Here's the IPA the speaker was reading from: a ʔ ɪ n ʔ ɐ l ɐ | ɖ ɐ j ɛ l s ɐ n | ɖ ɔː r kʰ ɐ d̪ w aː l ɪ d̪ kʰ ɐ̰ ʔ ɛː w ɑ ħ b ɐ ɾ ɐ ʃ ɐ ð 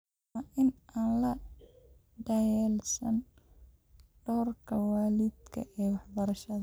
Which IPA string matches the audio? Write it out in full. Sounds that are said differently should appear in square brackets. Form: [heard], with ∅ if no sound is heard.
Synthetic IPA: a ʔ ɪ n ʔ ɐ l ɐ | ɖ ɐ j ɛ l s ɐ n | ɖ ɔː r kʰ ɐ [∅] w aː l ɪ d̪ kʰ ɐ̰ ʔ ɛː w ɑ ħ b ɐ ɾ ɐ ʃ ɐ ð